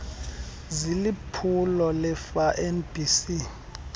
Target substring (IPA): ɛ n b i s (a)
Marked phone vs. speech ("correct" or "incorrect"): incorrect